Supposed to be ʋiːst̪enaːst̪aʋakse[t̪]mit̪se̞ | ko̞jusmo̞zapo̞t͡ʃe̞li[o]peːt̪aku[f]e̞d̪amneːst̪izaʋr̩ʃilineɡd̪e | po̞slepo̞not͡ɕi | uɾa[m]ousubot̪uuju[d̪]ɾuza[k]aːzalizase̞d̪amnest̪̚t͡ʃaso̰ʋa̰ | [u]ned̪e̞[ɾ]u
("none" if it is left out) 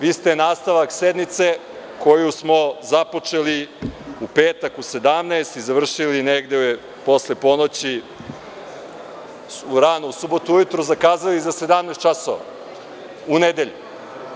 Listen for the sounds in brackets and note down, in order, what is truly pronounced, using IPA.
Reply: d̪, u, s, n, t̪, k, u, ʎ

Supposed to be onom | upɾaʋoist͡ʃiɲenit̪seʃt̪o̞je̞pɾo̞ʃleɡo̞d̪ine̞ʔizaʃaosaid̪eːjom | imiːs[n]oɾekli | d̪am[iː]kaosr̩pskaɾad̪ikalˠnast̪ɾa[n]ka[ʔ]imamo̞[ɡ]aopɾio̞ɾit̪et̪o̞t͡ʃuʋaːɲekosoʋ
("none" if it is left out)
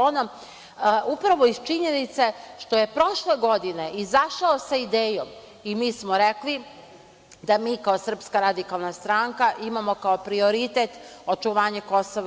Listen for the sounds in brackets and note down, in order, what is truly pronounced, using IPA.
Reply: m, iː, ŋ, ʔ, k

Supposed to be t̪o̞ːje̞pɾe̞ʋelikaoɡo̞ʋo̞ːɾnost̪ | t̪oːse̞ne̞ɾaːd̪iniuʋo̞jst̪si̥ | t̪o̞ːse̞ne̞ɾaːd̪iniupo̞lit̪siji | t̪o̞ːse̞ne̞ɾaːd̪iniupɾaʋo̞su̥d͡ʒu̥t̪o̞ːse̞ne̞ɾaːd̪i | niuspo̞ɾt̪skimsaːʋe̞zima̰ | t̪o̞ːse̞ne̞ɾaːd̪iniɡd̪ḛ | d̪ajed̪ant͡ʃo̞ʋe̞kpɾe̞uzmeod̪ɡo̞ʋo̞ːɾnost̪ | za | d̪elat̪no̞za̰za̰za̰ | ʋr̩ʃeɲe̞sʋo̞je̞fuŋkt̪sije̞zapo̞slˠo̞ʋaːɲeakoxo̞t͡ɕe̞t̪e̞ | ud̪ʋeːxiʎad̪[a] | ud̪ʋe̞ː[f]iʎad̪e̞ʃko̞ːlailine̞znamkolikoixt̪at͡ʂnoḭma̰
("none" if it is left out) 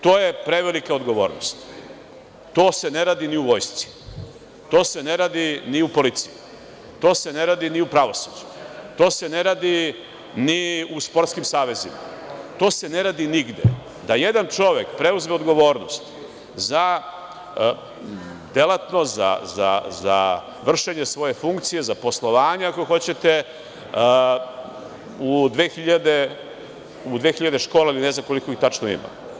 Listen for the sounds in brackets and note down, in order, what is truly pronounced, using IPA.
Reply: e, x

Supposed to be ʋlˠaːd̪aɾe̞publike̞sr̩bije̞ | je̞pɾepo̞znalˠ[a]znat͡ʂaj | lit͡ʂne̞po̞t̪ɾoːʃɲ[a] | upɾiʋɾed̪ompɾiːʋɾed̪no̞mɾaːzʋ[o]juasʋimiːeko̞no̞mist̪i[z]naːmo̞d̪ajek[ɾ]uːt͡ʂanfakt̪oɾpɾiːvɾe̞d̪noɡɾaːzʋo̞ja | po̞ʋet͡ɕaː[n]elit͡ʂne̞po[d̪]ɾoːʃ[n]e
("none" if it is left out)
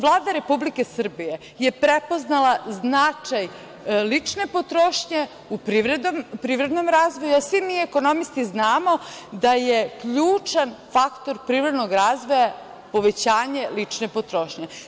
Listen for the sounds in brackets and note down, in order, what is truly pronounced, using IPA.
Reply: a, e, o, z, ʎ, ɲ, t̪, ɲ

